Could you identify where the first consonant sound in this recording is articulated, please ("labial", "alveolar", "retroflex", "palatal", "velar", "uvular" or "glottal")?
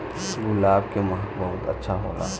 velar